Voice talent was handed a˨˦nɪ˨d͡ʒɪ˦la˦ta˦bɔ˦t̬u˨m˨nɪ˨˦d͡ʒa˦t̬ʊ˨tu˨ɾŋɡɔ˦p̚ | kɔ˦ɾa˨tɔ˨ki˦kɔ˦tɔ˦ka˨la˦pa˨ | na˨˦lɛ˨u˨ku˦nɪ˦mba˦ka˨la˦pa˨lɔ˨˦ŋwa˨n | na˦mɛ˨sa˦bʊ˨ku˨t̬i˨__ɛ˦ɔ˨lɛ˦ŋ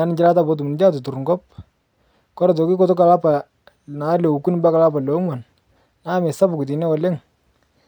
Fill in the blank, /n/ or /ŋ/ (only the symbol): n